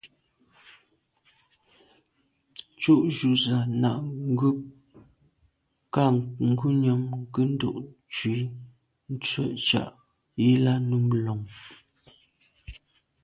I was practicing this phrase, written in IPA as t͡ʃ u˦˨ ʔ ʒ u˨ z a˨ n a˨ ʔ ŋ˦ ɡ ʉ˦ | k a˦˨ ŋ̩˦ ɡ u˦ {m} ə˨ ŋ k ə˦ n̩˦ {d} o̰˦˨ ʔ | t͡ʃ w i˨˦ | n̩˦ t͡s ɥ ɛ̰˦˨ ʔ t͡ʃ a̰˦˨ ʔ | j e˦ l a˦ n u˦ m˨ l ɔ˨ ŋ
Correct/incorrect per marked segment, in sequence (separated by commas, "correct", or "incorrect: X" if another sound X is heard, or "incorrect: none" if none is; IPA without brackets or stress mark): incorrect: ɲ, correct